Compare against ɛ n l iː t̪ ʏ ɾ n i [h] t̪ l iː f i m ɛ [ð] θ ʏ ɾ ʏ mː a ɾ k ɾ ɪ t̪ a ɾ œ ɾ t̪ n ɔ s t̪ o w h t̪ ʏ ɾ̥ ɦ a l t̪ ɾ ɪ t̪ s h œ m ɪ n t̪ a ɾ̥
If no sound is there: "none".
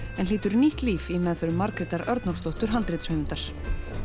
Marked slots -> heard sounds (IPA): h, ð

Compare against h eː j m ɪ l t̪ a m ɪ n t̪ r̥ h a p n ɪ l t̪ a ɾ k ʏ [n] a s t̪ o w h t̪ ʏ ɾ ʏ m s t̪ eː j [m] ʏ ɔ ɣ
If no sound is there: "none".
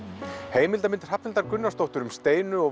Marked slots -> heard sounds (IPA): nː, n

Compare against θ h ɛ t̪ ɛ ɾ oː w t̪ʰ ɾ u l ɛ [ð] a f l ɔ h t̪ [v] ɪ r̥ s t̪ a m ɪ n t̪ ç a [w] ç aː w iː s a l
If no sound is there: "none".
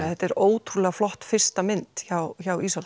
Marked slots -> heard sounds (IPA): ɣ, f, w

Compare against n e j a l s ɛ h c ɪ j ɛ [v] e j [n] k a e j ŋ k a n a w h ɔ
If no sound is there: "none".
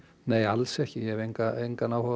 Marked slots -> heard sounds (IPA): v, ŋ

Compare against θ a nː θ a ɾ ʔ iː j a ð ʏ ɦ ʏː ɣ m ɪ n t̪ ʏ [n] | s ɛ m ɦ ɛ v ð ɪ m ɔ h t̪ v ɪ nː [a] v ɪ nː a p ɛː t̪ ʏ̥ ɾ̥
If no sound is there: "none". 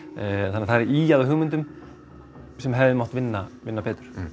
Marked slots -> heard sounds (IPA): m, a

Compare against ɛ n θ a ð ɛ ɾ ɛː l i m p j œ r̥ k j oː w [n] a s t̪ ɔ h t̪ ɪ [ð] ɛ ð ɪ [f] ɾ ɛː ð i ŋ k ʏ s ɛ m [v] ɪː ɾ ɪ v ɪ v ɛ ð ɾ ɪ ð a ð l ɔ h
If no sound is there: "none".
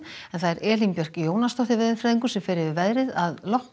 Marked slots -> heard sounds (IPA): n, v, f, f

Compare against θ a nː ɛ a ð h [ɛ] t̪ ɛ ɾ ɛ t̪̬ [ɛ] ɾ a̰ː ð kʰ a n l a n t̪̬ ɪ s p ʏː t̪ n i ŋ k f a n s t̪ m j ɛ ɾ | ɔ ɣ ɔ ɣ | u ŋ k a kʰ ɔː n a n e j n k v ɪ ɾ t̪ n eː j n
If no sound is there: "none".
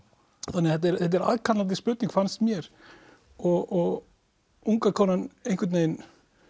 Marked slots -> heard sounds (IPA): ɛ, ɛ

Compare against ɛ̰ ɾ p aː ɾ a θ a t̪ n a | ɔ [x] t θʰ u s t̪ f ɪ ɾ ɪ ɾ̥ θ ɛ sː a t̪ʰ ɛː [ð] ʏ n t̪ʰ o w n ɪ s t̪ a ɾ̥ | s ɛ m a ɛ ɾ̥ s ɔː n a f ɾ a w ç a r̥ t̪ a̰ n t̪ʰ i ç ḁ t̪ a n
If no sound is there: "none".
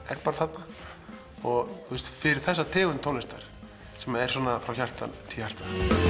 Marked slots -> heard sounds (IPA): ɣ, ɣ

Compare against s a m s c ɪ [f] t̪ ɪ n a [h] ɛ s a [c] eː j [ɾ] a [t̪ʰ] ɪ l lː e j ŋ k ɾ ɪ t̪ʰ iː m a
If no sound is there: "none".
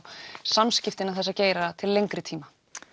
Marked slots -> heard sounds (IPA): f, θ, c, ɾ, t̪ʰ

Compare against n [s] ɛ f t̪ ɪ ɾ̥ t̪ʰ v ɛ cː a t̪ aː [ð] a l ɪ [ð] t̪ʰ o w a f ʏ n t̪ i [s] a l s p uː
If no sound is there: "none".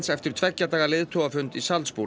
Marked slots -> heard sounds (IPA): s, ɣ, ð, s

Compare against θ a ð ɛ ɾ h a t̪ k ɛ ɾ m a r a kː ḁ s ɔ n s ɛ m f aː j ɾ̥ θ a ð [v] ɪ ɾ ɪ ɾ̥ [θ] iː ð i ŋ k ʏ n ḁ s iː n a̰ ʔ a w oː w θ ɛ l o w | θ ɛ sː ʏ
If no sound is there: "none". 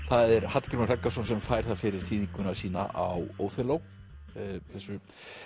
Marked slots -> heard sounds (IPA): f, θ

